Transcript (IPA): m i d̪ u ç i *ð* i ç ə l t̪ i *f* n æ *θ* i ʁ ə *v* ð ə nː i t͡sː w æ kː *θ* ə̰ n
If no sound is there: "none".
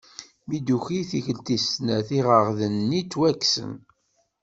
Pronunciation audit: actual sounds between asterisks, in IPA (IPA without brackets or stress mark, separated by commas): θ, s, θ, ʁ, s